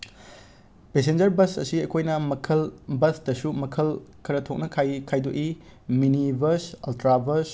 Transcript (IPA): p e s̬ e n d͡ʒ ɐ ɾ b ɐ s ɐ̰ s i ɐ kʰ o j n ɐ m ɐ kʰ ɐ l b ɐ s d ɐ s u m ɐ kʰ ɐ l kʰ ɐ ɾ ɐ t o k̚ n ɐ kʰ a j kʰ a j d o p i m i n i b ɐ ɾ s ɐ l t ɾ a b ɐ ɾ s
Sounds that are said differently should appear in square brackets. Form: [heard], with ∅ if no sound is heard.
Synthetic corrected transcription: p e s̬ e n d͡ʒ ɐ ɾ b ɐ s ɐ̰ s i ɐ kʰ o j n ɐ m ɐ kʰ ɐ l b ɐ s d ɐ s u m ɐ kʰ ɐ l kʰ ɐ ɾ ɐ [tʰ] o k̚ n ɐ kʰ a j kʰ a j d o [ʔ] i m i n i b ɐ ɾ s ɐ l t ɾ a b ɐ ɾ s